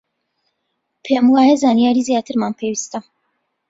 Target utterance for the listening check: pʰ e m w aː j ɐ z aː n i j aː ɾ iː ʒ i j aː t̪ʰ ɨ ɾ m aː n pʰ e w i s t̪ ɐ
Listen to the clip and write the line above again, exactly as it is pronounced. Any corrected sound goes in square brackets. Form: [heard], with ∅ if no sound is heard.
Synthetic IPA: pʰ e m w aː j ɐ z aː n i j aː ɾ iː [z] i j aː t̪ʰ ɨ ɾ m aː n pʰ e w i s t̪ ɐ